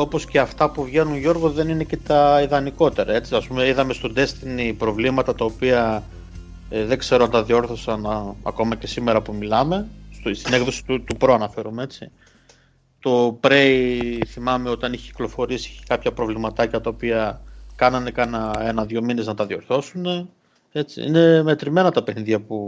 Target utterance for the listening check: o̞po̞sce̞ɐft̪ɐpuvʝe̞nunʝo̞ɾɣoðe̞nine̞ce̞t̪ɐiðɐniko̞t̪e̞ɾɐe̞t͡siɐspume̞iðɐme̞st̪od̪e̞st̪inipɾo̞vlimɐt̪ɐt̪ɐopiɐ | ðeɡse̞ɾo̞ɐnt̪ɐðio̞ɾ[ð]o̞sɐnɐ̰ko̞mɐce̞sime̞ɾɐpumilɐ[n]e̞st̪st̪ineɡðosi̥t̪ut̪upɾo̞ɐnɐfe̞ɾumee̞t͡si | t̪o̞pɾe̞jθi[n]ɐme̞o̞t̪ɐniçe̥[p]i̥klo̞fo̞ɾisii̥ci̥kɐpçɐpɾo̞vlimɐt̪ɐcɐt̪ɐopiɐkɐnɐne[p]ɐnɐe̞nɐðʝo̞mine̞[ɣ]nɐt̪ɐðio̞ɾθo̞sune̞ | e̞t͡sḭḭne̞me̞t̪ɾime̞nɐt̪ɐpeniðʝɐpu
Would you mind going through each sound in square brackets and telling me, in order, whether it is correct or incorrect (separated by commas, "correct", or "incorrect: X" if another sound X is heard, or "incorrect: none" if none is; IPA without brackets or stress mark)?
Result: incorrect: θ, incorrect: m, incorrect: m, incorrect: c, incorrect: k, incorrect: z